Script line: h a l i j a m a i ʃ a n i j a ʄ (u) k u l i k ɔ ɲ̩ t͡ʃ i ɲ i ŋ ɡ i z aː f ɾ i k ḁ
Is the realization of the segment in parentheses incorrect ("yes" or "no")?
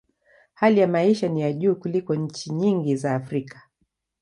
yes